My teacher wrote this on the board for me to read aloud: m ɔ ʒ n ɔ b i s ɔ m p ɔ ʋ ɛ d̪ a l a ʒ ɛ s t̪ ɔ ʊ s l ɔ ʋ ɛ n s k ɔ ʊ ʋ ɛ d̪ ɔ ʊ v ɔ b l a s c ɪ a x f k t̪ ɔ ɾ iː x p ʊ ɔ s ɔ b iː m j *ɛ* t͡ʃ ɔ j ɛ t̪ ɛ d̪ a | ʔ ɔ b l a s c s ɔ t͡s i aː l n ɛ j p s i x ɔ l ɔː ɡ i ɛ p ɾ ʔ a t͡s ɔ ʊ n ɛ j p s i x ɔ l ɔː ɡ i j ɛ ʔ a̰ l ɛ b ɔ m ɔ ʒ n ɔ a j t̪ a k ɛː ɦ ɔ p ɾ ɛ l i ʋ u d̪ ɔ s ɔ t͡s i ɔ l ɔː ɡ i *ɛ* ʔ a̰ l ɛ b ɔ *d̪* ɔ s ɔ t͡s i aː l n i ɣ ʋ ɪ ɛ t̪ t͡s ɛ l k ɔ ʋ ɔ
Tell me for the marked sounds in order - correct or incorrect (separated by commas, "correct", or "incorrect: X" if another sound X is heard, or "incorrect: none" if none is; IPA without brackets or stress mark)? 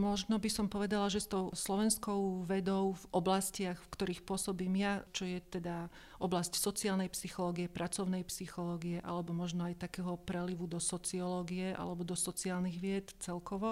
incorrect: a, correct, correct